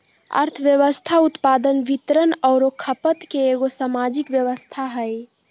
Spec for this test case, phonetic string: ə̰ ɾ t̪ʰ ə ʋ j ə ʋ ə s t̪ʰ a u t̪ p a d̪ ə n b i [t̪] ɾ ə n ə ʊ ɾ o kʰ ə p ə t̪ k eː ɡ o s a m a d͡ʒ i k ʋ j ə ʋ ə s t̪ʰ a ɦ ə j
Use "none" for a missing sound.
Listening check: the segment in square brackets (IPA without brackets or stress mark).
t̪